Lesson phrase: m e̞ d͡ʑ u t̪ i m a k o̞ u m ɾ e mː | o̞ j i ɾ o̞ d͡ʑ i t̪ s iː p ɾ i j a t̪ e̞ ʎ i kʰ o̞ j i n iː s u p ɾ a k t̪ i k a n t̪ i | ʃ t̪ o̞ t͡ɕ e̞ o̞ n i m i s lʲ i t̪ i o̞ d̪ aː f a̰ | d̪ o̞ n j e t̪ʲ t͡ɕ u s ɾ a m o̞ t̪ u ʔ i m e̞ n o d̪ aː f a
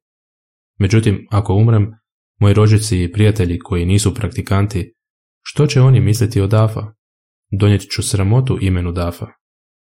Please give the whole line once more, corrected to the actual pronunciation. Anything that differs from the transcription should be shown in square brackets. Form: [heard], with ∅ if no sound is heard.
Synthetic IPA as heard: m e̞ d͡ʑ u t̪ i m a k o̞ u m ɾ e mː | o̞ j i ɾ o̞ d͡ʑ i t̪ s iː p ɾ i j a t̪ e̞ ʎ i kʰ o̞ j i n iː s u p ɾ a k t̪ i k a n t̪ i | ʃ t̪ o̞ t͡ɕ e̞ o̞ n i m i s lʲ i t̪ i o̞ d̪ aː f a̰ | d̪ o̞ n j e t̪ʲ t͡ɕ u s ɾ a m o̞ t̪ u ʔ i m e̞ n [u] d̪ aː f a